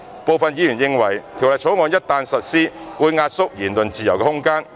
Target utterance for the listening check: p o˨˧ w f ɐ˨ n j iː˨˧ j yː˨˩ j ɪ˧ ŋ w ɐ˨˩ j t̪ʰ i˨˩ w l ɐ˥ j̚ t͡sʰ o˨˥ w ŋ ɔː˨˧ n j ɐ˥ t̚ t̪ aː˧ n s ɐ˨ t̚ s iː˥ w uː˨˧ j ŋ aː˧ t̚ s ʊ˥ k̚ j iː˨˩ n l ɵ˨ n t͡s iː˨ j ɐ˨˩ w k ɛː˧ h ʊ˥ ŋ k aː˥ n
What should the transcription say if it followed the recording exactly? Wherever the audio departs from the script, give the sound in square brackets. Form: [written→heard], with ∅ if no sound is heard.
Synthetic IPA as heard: p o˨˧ w f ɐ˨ n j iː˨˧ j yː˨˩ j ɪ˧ ŋ w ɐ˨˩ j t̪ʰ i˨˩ w l [ɐ˥→ɐ˨] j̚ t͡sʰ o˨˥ w ŋ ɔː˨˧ n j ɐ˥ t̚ t̪ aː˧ n s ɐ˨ t̚ s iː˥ w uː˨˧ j ŋ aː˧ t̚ s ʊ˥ k̚ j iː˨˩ n l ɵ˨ n t͡s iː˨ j ɐ˨˩ w k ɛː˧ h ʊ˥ ŋ k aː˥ n